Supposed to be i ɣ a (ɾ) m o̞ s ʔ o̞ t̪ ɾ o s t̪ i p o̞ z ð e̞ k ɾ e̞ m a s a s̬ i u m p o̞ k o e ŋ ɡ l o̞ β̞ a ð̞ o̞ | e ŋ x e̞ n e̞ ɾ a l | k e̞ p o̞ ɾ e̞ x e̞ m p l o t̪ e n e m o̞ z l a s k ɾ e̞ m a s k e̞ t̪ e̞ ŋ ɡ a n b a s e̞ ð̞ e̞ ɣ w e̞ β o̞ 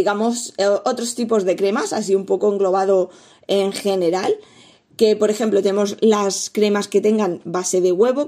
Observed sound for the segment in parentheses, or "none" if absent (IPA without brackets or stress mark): none